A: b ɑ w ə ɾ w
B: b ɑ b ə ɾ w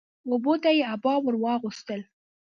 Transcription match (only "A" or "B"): A